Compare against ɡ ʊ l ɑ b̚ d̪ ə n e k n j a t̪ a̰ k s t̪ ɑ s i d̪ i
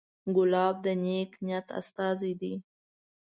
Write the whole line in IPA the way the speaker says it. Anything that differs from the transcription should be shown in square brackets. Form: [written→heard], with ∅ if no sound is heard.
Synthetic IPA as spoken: ɡ ʊ l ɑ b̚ d̪ ə n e k n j a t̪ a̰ [k→∅] s t̪ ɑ [s→z] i d̪ i